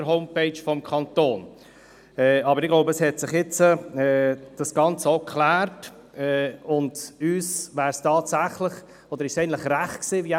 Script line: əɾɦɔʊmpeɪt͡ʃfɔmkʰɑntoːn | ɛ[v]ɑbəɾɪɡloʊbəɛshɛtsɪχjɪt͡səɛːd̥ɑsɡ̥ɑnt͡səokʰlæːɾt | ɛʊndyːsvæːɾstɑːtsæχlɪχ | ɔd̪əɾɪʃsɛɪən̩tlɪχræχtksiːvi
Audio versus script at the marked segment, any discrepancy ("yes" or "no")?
yes